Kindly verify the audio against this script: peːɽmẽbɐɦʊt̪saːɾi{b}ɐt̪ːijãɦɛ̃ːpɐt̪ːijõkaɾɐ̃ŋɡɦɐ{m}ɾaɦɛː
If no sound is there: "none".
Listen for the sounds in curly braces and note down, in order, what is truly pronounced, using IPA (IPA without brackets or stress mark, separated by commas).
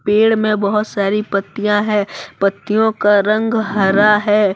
p, none